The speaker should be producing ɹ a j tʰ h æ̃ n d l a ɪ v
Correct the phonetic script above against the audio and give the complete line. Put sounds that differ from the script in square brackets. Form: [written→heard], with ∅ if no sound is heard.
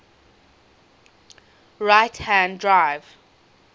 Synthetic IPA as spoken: ɹ a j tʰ h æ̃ n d [l→ɹ] a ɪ v